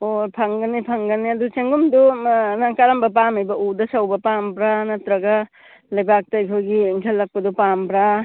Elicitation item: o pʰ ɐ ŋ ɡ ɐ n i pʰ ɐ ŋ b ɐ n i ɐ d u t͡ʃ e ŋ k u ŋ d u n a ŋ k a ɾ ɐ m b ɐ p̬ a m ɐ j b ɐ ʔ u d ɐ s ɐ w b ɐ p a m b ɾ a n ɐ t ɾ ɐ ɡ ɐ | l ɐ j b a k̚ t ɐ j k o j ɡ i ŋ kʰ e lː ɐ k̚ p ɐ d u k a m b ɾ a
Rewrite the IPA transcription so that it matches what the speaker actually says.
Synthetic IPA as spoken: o pʰ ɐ ŋ ɡ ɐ n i pʰ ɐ ŋ ɡ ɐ n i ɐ d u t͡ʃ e ŋ ɡ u m d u n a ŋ k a ɾ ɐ m b ɐ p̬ a m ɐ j b ɐ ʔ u d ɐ s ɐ w b ɐ p a m b ɾ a n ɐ t ɾ ɐ ɡ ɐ | l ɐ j b a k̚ t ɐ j kʰ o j ɡ i ŋ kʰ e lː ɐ k̚ p ɐ d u p a m b ɾ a